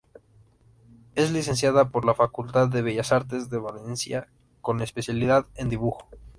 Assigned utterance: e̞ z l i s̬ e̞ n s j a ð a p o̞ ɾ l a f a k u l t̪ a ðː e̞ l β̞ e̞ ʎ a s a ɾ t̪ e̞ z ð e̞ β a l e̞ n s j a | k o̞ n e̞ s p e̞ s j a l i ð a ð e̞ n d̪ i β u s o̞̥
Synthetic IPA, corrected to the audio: e̞ z l i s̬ e̞ n s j a ð a p o̞ ɾ l a f a k u l t̪ a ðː e̞ β̞ e̞ ʝ a s a ɾ t̪ e̞ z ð e̞ β a l e̞ n s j a | k o̞ n e̞ s p e̞ s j a l i ð a ð e̞ n d̪ i β u x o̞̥